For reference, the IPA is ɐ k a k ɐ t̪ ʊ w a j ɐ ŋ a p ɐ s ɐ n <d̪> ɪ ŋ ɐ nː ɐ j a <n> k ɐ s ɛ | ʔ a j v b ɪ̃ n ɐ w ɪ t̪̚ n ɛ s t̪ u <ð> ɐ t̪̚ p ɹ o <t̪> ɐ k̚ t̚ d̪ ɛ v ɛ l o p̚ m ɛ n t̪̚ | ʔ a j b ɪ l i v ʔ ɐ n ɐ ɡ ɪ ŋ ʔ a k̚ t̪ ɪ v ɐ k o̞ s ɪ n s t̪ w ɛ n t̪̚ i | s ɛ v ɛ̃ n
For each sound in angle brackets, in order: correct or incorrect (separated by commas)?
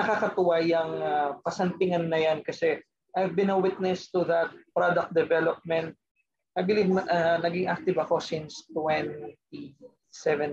incorrect, correct, correct, incorrect